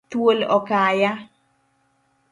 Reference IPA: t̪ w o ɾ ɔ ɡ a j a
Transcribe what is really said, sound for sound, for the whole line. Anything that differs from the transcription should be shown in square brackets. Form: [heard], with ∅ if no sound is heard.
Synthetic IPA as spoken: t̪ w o [l] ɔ [k] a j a

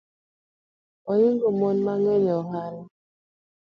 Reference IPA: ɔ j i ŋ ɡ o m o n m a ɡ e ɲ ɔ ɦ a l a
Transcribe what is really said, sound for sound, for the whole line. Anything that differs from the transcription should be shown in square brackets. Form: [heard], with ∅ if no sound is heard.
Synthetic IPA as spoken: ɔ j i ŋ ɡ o m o n m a [ŋ] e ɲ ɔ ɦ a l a

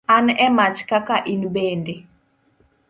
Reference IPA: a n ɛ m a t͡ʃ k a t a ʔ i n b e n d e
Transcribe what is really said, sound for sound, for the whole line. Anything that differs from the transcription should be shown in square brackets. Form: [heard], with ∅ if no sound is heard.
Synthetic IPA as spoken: a n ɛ m a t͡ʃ k a [k] a ʔ i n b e n d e

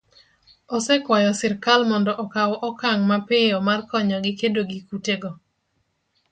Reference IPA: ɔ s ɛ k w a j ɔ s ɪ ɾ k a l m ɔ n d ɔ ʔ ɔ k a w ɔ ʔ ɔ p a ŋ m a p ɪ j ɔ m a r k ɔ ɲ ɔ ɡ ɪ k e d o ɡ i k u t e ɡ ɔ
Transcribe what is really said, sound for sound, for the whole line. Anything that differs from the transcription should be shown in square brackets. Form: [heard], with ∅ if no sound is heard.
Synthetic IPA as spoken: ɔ s ɛ k w a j ɔ s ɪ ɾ k a l m ɔ n d ɔ ʔ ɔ k a w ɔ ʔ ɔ [k] a ŋ m a p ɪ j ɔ m a r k ɔ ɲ ɔ ɡ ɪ k e d o ɡ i k u t e ɡ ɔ

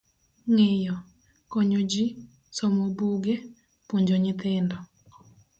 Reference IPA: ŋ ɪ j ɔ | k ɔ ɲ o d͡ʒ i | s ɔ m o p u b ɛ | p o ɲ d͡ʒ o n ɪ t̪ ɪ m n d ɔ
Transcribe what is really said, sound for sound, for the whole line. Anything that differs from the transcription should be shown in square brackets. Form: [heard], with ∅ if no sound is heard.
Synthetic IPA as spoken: ŋ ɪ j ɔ | k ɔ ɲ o d͡ʒ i | s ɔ m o [b] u [ɡ] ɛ | p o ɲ d͡ʒ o [ɲ] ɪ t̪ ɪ [∅] n d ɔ

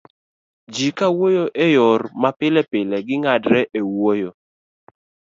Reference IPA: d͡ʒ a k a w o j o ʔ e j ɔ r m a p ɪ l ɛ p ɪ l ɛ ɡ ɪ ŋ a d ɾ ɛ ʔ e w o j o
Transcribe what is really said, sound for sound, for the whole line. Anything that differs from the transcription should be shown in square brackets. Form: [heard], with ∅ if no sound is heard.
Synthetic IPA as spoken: d͡ʒ [i] k a w o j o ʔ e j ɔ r m a p ɪ l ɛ p ɪ l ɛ ɡ ɪ ŋ a d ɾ ɛ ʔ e w o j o

